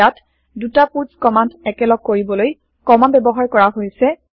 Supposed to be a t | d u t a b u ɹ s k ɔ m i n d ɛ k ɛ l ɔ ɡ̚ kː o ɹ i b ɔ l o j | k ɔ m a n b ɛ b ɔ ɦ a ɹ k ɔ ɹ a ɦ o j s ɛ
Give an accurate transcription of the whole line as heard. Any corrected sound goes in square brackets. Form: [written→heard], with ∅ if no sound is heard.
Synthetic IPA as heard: a t | d u t a [b→p] u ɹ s k ɔ m [i→a] n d ɛ k ɛ l ɔ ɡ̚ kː o ɹ i b ɔ l o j | k ɔ m a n b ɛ b ɔ ɦ a ɹ k ɔ ɹ a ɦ o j s ɛ